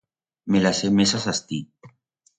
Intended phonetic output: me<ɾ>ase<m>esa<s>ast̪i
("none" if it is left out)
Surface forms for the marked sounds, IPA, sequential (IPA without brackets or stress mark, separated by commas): l, m, s